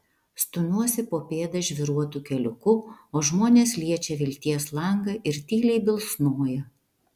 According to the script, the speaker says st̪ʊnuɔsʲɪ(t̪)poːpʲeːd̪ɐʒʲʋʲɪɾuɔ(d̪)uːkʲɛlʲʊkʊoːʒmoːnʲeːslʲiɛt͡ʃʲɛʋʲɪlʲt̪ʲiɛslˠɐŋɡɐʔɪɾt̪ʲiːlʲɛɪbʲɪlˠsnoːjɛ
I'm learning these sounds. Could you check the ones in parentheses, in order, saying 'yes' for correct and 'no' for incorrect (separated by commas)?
no, no